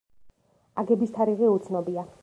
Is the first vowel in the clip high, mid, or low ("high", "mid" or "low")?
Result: low